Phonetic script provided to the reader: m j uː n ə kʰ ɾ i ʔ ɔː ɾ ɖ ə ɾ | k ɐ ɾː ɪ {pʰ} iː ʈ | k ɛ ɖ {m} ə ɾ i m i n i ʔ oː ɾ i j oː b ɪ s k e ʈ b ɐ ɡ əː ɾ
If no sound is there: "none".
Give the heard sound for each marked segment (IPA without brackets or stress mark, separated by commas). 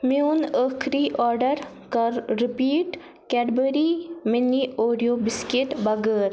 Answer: p, b